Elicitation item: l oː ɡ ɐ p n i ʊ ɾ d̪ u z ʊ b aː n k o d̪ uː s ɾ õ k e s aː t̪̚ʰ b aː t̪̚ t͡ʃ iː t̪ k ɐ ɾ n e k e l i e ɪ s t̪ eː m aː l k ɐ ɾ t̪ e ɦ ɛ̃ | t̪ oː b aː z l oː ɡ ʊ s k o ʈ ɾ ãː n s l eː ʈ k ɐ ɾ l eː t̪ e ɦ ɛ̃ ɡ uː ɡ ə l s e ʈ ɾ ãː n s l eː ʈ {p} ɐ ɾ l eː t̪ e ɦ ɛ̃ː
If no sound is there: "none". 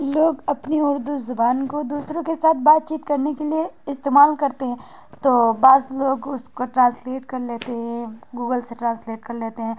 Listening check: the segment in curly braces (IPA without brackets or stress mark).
k